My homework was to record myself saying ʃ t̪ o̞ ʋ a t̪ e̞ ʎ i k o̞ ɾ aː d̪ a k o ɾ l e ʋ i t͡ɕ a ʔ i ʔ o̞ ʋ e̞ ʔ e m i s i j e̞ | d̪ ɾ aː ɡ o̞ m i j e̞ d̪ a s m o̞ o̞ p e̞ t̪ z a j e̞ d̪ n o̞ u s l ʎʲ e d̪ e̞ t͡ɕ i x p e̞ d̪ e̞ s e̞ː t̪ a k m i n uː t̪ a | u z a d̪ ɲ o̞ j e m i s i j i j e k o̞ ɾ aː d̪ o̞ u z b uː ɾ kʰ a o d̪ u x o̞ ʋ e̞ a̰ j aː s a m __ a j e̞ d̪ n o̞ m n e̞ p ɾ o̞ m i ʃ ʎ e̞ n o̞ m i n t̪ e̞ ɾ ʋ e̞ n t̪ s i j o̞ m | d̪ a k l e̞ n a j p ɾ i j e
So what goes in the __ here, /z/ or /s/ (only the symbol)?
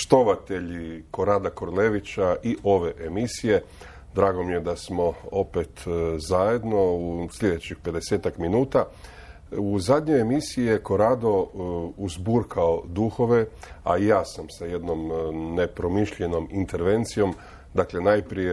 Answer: s